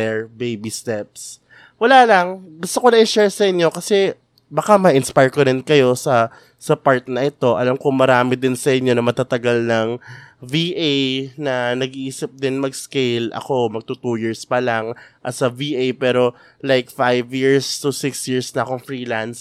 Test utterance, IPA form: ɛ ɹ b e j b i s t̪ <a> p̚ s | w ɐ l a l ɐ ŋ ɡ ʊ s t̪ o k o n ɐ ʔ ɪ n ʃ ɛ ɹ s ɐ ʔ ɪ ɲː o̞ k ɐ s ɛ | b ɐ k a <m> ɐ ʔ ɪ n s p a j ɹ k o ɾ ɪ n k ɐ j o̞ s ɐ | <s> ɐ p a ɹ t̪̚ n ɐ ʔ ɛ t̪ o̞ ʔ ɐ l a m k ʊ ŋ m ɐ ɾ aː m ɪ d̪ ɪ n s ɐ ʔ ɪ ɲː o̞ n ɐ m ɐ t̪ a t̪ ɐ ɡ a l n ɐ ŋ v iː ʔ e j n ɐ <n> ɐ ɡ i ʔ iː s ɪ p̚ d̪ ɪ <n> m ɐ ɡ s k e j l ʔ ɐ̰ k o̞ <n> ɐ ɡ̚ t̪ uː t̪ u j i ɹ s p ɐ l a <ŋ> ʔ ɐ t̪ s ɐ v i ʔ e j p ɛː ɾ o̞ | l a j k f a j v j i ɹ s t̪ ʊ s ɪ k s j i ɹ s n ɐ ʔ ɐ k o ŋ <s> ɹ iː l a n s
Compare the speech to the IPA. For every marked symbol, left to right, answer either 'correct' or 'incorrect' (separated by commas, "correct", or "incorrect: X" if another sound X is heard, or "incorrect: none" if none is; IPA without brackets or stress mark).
incorrect: ɛ, correct, correct, correct, correct, incorrect: m, correct, incorrect: f